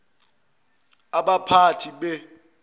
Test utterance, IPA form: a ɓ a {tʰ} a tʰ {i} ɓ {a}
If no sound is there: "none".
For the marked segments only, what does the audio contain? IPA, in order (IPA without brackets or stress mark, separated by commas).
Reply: pʰ, i, ɛ